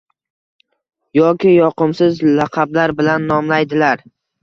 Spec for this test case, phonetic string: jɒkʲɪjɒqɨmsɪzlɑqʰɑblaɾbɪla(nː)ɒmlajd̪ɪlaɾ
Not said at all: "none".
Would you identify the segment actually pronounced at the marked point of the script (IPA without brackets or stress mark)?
nː